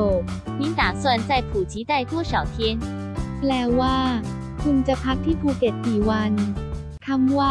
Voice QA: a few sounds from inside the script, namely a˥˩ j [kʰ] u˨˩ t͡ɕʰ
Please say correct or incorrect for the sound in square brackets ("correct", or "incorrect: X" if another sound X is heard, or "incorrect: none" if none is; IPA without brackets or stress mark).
incorrect: pʰ